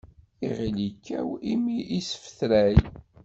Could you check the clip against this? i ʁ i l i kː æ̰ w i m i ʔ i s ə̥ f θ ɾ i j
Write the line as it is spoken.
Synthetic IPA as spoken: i ʁ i l i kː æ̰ w i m i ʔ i s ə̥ f θ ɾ æ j